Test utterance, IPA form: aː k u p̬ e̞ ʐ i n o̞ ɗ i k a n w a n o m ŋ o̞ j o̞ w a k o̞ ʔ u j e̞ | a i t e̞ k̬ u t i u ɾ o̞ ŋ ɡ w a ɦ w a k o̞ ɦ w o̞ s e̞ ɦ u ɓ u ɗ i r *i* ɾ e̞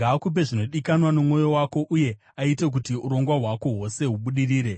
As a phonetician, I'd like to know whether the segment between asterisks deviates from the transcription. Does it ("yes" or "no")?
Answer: yes